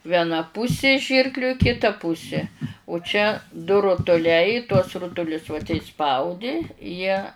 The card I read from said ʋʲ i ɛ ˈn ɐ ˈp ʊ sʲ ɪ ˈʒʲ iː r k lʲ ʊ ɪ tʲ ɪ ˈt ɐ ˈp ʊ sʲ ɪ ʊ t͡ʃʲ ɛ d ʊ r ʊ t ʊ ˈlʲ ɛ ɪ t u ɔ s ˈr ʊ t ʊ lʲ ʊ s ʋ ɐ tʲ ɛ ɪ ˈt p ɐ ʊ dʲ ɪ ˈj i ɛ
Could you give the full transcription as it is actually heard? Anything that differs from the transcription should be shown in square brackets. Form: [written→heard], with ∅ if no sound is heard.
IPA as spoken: ʋʲ i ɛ ˈn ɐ ˈp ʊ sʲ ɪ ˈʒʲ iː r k lʲ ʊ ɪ [tʲ→kʲ] ɪ ˈt ɐ ˈp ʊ sʲ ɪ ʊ t͡ʃʲ ɛ d ʊ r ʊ t ʊ ˈlʲ ɛ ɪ t u ɔ s ˈr ʊ t ʊ lʲ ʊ s ʋ ɐ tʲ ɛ ɪ [ˈt→ˈs] p ɐ ʊ dʲ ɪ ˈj i ɛ